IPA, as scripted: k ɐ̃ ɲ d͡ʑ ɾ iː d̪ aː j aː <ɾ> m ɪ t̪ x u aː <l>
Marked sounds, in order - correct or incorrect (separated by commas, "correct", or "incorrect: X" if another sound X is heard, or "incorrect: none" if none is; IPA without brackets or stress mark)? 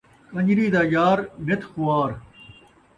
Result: correct, incorrect: ɾ